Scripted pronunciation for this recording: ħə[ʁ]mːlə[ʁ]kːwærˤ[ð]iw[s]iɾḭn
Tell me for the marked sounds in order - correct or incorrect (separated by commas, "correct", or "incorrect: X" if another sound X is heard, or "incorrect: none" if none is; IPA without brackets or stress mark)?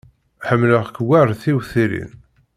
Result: incorrect: none, correct, incorrect: θ, incorrect: θ